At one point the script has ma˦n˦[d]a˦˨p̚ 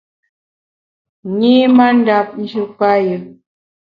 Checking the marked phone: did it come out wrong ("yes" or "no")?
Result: no